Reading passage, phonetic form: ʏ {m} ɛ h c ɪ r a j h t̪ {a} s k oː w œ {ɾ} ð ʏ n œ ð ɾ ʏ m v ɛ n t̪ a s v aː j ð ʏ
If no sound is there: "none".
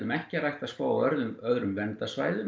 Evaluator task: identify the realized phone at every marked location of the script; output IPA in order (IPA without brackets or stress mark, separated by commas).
m, a, ɾ